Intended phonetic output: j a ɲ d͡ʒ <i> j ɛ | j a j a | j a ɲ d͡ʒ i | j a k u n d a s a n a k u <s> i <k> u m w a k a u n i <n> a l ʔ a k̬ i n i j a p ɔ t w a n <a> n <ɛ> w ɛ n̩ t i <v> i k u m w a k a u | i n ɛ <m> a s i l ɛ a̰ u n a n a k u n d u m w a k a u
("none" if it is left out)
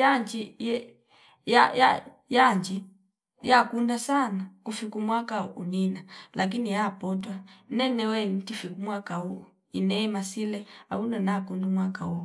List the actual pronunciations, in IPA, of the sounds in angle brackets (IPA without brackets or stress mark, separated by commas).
i, f, k, n, ɛ, ɛ, f, m